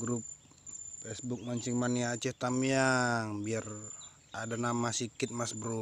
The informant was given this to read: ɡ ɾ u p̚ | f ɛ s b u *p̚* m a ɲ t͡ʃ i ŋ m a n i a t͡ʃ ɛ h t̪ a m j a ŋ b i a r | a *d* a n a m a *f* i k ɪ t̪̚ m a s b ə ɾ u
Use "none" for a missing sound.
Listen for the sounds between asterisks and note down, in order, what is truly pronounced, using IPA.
k̚, d, s

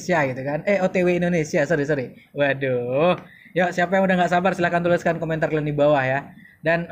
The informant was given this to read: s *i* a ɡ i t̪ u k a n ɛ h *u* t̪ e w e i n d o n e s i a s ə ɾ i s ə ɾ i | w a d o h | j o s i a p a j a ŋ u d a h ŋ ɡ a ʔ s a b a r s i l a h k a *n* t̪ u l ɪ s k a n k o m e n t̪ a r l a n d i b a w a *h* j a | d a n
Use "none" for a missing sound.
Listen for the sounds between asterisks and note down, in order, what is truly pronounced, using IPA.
i, o, n, h

